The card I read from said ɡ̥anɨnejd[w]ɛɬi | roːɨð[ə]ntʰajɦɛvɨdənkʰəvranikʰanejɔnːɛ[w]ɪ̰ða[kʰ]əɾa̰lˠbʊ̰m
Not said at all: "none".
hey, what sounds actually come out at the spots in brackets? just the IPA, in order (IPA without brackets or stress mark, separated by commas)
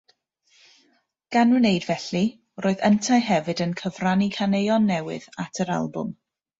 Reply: v, ə, w, tʰ